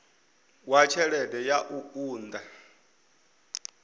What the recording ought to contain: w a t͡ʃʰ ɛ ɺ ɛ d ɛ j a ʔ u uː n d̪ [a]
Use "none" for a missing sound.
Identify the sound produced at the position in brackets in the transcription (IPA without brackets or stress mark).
a